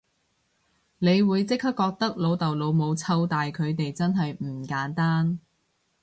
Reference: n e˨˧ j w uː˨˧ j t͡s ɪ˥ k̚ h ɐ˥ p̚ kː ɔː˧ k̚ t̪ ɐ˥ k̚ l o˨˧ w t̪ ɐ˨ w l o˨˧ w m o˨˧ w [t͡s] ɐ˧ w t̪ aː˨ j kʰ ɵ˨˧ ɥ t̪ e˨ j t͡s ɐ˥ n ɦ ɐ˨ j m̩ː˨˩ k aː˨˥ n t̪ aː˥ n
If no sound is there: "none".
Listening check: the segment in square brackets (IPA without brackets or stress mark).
t͡sʰ